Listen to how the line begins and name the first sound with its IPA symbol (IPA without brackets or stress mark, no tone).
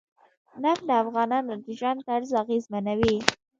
n